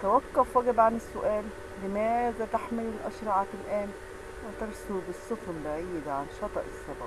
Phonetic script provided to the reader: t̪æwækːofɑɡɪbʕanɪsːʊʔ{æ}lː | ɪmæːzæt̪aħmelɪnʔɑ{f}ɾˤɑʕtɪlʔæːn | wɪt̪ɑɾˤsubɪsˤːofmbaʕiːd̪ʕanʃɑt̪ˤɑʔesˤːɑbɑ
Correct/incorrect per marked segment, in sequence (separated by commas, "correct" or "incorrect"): incorrect, incorrect